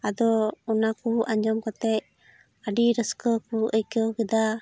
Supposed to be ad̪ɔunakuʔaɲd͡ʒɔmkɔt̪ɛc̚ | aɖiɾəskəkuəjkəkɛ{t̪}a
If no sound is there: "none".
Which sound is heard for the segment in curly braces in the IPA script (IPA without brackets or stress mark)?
d̪